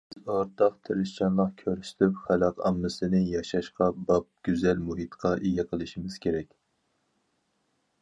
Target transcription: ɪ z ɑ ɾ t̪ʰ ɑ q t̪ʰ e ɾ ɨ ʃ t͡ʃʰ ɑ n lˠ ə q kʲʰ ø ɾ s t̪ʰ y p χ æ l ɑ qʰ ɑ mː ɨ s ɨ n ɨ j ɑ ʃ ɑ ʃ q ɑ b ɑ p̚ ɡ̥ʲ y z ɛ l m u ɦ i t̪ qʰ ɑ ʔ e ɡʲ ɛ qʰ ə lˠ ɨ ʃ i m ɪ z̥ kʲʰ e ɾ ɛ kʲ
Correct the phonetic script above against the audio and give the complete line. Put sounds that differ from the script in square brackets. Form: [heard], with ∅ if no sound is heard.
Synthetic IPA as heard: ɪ z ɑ ɾ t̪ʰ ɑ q t̪ʰ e ɾ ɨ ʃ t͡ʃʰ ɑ n lˠ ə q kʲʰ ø ɾ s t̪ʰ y p χ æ l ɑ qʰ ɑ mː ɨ s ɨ n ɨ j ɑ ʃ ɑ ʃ q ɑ b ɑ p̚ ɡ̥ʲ y z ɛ l m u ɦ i t̪ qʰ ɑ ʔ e ɡʲ ɛ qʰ ə lˠ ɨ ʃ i m ɪ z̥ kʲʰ e ɾ ɛ kʲ